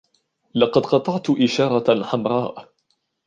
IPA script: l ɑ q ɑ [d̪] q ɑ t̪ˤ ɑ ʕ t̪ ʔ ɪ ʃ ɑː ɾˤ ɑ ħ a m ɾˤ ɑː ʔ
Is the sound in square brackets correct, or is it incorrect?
correct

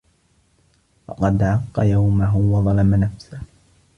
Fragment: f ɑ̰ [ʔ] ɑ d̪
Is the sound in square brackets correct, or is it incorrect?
incorrect: q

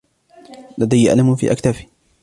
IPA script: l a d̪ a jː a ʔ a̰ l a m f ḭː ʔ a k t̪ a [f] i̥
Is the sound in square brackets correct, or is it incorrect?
correct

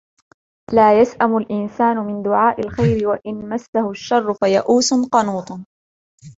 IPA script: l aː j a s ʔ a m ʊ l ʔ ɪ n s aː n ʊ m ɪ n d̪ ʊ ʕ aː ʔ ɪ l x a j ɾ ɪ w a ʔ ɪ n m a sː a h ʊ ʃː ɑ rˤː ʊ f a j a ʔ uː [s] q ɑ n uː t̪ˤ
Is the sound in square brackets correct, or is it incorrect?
correct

